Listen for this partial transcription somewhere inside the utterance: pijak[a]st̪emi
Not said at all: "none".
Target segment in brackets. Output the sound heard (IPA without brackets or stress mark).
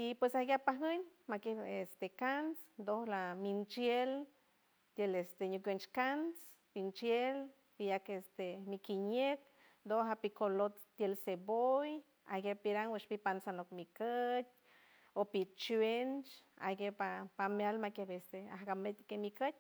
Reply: e